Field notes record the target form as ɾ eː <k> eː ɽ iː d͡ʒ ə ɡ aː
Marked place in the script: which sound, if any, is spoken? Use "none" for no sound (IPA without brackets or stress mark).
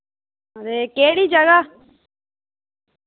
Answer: k